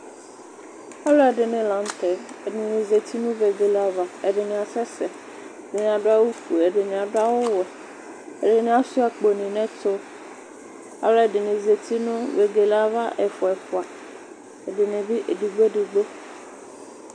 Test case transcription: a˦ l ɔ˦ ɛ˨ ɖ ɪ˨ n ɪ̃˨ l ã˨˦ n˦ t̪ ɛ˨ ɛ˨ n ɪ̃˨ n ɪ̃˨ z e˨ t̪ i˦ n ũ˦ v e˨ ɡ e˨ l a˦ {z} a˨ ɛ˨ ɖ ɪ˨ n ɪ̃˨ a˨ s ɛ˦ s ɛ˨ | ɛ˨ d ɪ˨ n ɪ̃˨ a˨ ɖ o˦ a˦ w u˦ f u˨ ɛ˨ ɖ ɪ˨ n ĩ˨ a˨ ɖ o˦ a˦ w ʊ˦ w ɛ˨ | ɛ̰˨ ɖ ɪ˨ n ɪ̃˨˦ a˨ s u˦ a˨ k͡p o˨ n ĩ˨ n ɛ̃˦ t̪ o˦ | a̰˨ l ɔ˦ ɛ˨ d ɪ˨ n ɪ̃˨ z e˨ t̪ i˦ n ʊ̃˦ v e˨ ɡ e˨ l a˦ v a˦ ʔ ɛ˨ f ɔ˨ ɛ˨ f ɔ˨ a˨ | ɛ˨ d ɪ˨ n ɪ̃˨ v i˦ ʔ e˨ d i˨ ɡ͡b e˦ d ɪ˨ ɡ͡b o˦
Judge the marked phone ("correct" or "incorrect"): incorrect